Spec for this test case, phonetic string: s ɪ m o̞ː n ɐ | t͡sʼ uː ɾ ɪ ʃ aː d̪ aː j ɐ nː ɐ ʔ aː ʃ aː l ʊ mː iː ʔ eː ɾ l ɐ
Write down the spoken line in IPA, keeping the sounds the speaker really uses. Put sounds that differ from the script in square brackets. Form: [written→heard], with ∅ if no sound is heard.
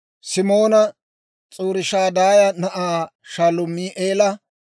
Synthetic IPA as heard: s ɪ m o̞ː n ɐ | t͡sʼ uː ɾ ɪ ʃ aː d̪ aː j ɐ [nː→n] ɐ ʔ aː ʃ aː l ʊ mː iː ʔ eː [ɾ→∅] l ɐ